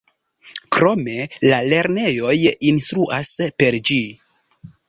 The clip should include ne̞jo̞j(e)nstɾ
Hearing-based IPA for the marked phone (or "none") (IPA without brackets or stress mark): i